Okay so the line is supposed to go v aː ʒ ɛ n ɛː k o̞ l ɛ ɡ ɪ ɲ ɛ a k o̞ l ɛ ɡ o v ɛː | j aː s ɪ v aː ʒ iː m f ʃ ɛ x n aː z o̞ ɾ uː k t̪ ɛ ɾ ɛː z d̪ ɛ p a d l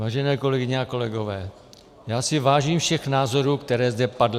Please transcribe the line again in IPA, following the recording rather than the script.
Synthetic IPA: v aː ʒ ɛ n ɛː k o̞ l ɛ ɡ ɪ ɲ ɛ a k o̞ l ɛ ɡ o v ɛː | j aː s ɪ v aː ʒ iː m f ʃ ɛ x n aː z o̞ ɾ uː k t̪ ɛ ɾ ɛː z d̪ ɛ p a d l